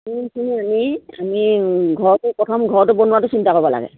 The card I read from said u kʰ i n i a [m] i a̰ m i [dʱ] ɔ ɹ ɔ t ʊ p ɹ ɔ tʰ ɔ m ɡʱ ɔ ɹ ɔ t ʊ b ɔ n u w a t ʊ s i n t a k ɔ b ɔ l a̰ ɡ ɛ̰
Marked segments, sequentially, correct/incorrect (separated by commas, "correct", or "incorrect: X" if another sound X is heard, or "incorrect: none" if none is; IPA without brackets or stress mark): correct, incorrect: ɡʱ